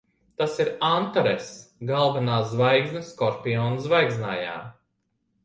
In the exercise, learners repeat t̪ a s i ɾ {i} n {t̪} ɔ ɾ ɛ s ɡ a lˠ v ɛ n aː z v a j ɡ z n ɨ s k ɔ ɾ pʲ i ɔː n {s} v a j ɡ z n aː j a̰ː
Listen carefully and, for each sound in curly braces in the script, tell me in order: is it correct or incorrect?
incorrect, correct, incorrect

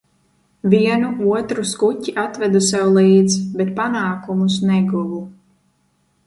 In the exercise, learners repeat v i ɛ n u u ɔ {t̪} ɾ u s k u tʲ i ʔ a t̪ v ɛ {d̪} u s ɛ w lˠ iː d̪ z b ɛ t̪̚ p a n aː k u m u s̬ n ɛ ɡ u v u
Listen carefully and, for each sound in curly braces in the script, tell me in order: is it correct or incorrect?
correct, correct

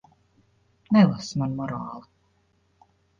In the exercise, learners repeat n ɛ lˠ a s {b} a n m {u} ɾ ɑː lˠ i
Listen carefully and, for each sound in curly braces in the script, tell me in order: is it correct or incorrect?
incorrect, incorrect

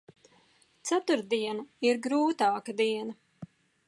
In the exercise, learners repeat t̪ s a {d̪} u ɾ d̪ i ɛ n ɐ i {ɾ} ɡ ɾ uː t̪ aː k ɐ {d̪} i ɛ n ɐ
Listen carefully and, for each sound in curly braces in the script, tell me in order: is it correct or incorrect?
incorrect, correct, correct

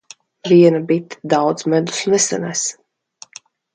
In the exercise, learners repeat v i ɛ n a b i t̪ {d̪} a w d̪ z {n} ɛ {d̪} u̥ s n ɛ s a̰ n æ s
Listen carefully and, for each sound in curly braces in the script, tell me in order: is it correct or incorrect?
correct, incorrect, correct

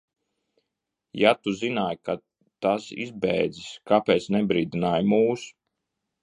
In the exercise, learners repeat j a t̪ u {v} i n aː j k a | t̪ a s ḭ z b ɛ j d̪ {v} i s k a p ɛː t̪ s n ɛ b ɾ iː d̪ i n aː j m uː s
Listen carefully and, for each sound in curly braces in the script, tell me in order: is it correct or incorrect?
incorrect, incorrect

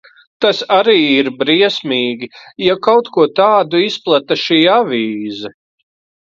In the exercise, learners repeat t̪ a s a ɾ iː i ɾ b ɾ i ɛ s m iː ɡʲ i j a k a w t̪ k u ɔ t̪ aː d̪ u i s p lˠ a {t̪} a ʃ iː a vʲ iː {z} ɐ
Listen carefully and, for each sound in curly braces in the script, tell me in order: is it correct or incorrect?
correct, correct

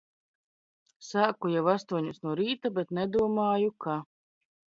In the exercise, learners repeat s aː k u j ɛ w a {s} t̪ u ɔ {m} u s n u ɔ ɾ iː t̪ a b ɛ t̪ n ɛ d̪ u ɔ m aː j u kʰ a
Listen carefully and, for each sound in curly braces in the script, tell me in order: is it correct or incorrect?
correct, incorrect

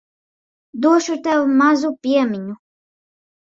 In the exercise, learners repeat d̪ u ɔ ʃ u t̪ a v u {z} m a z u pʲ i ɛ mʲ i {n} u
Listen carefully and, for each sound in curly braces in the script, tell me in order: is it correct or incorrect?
incorrect, incorrect

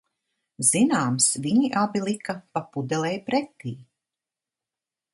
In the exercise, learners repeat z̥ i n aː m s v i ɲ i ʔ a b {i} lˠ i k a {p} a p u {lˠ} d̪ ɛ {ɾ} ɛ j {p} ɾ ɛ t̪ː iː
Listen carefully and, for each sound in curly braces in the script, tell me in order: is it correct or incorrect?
correct, correct, incorrect, incorrect, correct

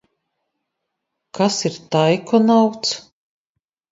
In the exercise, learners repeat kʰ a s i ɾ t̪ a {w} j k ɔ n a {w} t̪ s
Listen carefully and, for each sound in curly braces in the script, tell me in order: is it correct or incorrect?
incorrect, correct

